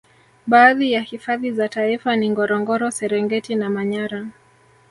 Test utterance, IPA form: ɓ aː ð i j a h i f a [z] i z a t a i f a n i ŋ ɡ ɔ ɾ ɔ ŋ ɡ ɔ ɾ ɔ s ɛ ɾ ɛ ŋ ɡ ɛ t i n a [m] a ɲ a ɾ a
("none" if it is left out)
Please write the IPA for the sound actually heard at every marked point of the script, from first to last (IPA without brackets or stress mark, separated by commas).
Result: ð, m